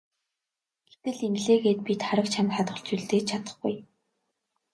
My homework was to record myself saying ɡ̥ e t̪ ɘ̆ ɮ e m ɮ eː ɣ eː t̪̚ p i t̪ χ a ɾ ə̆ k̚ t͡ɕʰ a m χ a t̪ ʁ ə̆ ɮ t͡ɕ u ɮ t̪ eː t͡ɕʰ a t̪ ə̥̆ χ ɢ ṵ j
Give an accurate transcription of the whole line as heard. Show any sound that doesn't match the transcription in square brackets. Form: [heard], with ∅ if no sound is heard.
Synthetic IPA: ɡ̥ e t̪ ɘ̆ ɮ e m ɮ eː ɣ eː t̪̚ p i t̪ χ a ɾ ə̆ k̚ t͡ɕʰ a m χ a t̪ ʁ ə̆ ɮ t͡ɕ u ɮ t̪ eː t͡ɕʰ a t̪ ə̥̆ χ [ɡ] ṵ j